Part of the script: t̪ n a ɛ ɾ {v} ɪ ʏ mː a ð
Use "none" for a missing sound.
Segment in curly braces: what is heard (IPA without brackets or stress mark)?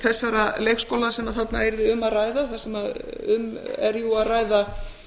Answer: ð